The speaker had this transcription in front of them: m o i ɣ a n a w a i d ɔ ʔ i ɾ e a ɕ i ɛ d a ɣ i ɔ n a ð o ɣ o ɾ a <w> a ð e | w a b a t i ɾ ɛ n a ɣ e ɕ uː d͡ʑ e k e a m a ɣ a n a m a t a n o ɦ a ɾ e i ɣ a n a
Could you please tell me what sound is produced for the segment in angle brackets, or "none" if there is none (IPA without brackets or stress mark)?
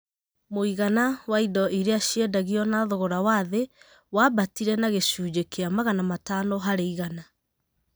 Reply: w